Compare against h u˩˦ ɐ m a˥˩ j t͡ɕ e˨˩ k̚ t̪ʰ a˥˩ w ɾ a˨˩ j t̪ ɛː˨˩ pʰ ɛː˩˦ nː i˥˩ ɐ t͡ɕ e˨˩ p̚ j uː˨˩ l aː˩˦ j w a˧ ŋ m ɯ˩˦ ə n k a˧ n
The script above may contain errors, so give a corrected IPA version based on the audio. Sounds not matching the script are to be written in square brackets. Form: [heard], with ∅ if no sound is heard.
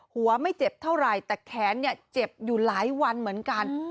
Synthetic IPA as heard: h u˩˦ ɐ m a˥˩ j t͡ɕ e˨˩ [p̚] t̪ʰ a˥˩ w ɾ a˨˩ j t̪ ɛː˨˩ [kʰ] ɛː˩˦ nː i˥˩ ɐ t͡ɕ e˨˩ p̚ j uː˨˩ l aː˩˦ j w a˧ [n] m ɯ˩˦ ə n k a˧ n